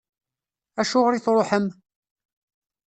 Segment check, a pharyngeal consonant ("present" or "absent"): present